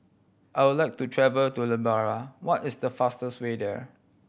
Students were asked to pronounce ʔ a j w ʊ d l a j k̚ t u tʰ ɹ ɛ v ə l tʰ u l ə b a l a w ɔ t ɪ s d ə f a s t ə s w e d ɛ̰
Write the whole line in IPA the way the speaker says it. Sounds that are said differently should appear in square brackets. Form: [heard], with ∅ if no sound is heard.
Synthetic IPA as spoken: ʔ a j w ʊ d l a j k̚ t u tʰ ɹ ɛ v ə l [t] u l ə b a [ɹ] a w ɔ t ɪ s d ə f a s t ə s w e d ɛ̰